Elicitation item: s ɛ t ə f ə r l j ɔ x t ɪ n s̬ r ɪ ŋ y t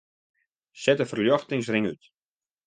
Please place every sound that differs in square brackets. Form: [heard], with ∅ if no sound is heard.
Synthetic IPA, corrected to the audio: s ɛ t ə f ə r l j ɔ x t ɪ [ŋ] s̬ r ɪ ŋ y t